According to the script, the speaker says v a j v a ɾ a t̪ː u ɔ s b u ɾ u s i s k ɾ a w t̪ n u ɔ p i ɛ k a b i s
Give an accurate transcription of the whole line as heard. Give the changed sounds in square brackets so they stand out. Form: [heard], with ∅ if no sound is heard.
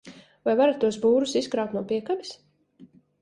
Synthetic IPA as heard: v a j v a ɾ a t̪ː u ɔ s b [uː] ɾ u s i s k ɾ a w t̪ n u ɔ p i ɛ k a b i s